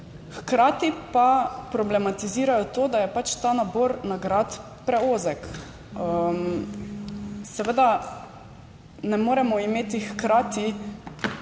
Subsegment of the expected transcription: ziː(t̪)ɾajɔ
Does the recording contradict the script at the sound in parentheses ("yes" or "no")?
yes